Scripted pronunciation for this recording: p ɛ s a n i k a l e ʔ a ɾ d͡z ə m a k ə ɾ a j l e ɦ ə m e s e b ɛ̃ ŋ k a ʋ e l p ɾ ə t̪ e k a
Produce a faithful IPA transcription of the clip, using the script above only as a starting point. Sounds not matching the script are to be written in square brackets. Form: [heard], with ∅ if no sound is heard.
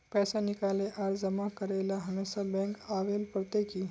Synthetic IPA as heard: p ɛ s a n i k a l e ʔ a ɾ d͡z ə m a k ə ɾ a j l [a] ɦ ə m e s [a] b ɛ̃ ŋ k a ʋ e l p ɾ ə t̪ e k [i]